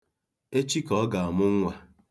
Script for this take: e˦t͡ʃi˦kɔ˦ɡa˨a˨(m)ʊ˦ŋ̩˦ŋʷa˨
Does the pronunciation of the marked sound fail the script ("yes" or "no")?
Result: no